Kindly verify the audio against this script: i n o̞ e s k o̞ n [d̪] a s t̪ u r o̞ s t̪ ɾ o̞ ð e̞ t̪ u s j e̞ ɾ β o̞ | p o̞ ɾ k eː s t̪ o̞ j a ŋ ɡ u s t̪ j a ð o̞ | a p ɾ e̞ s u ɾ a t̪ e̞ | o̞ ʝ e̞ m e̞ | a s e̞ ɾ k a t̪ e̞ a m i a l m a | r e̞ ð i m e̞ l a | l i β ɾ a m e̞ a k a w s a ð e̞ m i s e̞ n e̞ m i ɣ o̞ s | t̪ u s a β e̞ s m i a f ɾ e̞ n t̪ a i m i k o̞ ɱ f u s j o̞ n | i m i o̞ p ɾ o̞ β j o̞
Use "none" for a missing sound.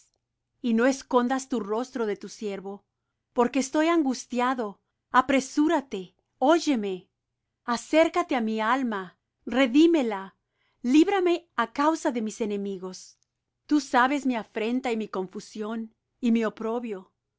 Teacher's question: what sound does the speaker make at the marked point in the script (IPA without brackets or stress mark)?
d̪